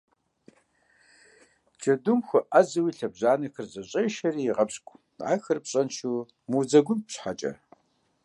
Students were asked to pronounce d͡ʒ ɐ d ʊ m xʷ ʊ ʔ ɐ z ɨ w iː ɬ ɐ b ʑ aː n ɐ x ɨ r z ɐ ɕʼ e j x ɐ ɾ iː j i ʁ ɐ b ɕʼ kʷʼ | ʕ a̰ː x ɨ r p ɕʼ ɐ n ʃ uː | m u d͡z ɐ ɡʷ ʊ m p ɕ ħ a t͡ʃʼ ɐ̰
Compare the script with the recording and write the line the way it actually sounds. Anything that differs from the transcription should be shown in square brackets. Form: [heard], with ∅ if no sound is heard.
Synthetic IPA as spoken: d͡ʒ ɐ d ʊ m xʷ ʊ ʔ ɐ z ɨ w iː ɬ ɐ b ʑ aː n ɐ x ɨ r z ɐ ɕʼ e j [ʃ] ɐ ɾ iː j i ʁ ɐ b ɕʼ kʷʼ | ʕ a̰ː x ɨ r p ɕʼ ɐ n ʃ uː | m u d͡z ɐ ɡʷ ʊ m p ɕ ħ a t͡ʃʼ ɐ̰